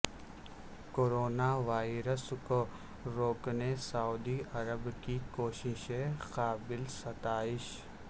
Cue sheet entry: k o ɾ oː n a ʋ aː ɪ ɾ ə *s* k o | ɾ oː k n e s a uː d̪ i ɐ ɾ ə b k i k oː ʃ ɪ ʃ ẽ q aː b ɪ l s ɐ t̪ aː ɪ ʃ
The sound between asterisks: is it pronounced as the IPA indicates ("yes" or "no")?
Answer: yes